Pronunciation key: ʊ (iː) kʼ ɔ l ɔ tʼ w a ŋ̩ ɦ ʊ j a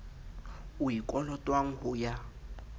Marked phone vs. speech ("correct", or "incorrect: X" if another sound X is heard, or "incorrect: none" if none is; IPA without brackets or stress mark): incorrect: i